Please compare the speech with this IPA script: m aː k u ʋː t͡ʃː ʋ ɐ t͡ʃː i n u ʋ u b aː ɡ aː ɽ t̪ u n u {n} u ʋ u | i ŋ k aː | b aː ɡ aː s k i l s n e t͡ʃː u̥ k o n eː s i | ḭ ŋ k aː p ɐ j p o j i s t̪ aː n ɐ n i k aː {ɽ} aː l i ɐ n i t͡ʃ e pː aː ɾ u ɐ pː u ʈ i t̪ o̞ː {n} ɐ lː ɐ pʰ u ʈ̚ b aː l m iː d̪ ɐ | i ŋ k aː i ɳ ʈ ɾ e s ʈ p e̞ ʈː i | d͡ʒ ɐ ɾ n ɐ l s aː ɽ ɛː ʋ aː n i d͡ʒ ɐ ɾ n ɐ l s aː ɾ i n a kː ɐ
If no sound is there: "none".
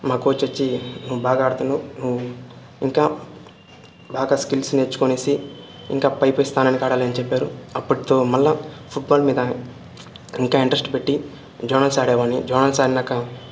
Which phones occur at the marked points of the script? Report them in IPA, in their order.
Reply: n, ɽ, m

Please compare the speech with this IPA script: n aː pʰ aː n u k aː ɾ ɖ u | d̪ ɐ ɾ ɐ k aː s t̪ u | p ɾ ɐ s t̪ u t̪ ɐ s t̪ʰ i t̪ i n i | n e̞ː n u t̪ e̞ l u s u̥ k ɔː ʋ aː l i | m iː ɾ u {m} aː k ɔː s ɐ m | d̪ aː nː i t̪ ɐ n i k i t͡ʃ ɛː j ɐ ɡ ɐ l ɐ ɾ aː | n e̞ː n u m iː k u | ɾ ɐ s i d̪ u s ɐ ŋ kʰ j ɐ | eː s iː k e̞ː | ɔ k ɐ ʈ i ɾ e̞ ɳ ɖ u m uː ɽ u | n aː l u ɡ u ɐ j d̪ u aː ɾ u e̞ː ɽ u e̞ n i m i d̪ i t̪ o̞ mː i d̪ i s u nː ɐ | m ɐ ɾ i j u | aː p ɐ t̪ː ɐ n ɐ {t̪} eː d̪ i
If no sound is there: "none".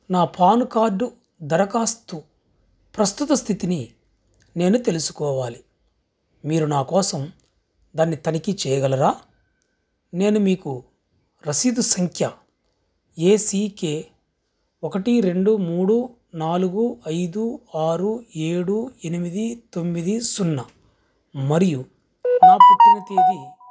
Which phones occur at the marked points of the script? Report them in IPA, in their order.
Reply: n, t̪

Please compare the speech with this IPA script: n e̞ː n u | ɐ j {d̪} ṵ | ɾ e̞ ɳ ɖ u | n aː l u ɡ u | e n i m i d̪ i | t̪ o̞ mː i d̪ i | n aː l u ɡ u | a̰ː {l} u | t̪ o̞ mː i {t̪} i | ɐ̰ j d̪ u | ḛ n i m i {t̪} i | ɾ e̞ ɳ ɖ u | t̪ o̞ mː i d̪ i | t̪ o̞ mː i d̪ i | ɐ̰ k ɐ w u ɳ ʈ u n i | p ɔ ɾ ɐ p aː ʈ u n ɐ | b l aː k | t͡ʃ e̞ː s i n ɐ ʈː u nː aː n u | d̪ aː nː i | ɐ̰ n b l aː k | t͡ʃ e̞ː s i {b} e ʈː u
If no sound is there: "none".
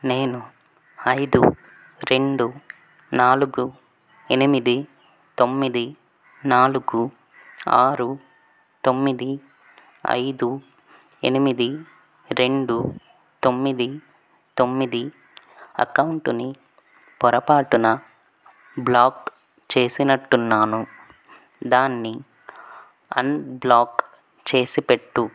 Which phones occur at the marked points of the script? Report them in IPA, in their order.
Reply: d̪, ɾ, d̪, d̪, p

